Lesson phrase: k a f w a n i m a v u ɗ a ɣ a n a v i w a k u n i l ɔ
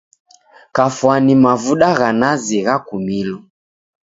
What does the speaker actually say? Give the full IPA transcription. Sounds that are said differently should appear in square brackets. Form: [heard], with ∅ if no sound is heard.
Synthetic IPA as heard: k a f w a n i m a v u ɗ a ɣ a n a [z] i [ɣ] a k u [m] i l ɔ